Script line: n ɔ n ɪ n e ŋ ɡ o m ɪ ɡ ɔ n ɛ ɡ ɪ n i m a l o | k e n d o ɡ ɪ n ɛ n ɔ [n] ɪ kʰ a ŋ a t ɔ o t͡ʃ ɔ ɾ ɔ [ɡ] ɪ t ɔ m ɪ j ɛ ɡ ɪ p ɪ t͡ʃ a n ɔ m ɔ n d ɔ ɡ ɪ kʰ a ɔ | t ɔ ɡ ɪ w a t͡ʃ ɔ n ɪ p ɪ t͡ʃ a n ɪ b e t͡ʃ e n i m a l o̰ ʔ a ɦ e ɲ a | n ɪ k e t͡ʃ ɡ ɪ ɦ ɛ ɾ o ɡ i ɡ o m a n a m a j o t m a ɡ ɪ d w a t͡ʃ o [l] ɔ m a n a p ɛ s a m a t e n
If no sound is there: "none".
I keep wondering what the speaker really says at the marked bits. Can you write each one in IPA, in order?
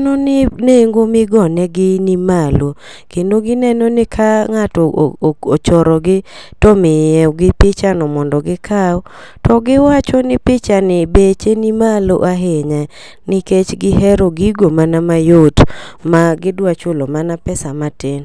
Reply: n, ɡ, l

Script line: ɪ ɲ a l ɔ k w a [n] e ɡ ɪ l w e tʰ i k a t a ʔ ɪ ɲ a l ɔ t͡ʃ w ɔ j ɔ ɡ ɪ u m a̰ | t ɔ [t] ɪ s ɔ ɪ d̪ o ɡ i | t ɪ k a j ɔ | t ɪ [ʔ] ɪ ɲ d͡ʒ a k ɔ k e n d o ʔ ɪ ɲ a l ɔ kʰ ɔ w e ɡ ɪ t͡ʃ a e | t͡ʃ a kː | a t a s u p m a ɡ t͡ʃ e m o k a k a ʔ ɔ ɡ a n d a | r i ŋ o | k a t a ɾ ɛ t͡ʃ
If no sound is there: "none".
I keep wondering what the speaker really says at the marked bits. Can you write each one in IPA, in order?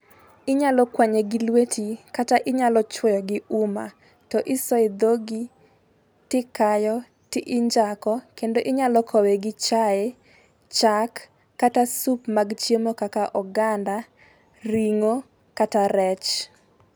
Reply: ɲ, ʔ, ʔ

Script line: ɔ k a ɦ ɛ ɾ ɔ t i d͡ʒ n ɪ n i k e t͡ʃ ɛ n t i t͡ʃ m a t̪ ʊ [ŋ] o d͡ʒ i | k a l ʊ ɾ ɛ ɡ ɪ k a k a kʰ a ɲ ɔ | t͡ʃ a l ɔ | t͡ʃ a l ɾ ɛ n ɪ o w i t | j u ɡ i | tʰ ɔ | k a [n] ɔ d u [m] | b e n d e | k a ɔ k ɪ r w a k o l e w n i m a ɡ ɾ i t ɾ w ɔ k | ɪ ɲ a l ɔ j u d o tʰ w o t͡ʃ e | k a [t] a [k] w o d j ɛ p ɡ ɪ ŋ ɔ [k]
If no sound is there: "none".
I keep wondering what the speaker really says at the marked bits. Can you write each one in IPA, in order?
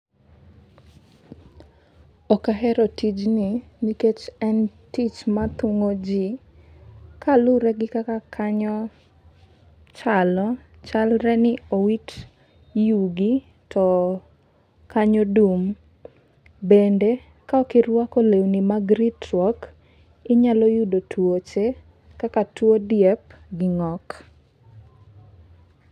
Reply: ŋ, ɲ, m, k, t, k

